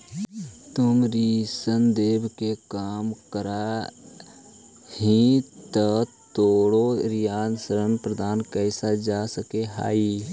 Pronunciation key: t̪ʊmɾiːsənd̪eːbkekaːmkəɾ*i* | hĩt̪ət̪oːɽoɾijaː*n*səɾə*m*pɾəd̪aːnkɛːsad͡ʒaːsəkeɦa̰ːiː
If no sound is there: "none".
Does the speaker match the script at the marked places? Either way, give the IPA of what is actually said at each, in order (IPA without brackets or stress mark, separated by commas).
a, n, n